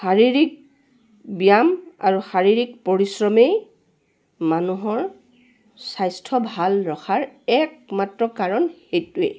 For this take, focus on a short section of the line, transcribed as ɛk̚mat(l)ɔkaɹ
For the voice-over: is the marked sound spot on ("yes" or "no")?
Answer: no